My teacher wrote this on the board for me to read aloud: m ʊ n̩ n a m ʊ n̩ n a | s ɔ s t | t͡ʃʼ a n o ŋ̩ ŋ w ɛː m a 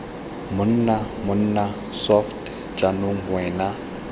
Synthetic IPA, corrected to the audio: m ʊ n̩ n a m ʊ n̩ n a | s ɔ f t | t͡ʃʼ a n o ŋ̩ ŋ w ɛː n a